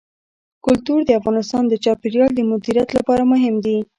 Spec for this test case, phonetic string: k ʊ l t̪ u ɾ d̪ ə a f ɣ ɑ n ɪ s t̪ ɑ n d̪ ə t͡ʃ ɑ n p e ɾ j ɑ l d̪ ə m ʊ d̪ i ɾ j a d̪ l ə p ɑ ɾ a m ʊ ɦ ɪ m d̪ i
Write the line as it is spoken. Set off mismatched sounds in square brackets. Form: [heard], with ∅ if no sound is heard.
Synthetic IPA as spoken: k ʊ l t̪ u ɾ d̪ ə a f ɣ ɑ n ɪ s t̪ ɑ n d̪ ə t͡ʃ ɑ [∅] p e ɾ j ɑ l d̪ ə m ʊ d̪ i ɾ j a [t̪] l [a] p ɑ ɾ a m ʊ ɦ ɪ m d̪ i